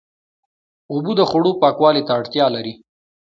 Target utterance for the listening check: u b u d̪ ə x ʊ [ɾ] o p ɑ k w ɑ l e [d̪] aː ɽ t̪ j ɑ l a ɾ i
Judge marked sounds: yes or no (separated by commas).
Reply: no, no